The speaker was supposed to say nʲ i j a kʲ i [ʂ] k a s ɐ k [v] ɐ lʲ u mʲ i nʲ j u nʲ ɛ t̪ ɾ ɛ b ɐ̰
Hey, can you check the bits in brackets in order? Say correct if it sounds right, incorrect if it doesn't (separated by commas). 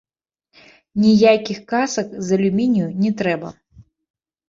incorrect, incorrect